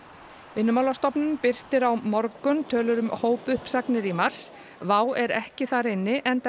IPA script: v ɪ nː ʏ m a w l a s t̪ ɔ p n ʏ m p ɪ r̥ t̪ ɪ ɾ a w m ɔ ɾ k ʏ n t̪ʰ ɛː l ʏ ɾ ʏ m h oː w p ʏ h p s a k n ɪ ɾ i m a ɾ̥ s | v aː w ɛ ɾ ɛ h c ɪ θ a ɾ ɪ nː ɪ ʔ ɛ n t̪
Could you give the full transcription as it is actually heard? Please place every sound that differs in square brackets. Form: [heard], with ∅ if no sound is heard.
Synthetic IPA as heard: v ɪ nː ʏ m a w l a s t̪ ɔ p n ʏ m p ɪ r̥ t̪ ɪ ɾ a w m ɔ ɾ k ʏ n t̪ʰ [œː] l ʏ ɾ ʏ m h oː w p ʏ h p s a k n ɪ ɾ i m a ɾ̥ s | v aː w ɛ ɾ ɛ h c ɪ θ a ɾ ɪ nː ɪ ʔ ɛ n t̪